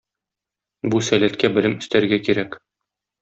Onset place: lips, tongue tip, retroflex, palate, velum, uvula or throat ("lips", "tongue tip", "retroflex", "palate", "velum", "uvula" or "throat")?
lips